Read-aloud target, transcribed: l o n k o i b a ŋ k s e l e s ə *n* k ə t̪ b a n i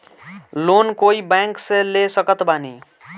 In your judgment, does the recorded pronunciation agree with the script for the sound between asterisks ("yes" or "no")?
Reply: no